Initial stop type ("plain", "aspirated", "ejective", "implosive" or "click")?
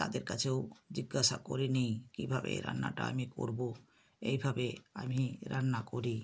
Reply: plain